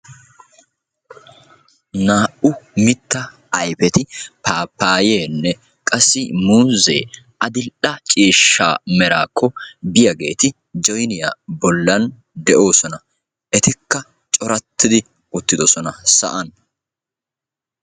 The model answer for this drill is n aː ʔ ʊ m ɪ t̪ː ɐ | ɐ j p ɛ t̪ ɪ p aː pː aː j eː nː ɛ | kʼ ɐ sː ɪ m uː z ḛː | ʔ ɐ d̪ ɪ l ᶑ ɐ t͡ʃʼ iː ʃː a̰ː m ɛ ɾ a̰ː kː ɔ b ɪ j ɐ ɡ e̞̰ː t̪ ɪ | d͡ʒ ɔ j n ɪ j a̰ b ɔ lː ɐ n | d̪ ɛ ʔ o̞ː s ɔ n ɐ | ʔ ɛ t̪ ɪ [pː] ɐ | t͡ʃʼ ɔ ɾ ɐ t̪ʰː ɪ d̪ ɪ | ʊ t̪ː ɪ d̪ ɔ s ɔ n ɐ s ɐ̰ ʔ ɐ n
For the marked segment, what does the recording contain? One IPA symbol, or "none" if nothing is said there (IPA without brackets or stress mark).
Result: kː